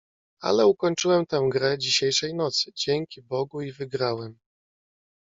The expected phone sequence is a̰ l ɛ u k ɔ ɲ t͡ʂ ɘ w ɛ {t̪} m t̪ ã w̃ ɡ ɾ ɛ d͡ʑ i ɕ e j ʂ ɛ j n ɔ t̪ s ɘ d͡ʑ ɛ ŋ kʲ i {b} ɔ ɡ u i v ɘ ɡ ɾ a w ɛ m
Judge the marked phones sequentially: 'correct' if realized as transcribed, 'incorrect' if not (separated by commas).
incorrect, correct